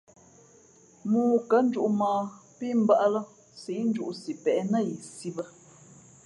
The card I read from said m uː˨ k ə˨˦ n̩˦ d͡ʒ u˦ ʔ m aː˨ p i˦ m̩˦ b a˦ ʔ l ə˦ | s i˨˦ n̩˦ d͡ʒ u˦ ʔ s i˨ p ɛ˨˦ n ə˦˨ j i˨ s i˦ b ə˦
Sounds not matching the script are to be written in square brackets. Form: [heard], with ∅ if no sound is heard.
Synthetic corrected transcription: m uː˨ k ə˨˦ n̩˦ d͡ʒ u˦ ʔ m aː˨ p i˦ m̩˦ b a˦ ʔ l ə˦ | s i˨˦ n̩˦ d͡ʒ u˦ ʔ s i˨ p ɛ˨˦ n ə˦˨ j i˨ s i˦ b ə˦